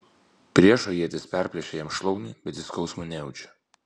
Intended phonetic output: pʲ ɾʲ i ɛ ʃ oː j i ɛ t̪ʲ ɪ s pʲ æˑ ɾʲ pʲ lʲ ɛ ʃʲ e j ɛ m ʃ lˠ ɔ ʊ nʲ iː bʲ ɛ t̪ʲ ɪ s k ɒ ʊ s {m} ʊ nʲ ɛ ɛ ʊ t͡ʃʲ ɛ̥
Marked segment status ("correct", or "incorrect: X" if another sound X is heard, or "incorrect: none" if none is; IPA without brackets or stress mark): correct